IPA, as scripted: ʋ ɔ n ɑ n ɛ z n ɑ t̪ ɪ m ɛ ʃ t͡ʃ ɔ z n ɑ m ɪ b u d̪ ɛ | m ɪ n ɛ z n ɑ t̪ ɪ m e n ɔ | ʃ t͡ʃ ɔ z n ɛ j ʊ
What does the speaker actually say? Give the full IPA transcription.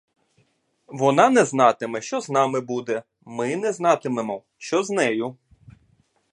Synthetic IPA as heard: ʋ ɔ n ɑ n ɛ z n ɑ t̪ ɪ m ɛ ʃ t͡ʃ ɔ z n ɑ m ɪ b u d̪ ɛ | m ɪ n ɛ z n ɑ t̪ ɪ m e m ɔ | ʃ t͡ʃ ɔ z n ɛ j ʊ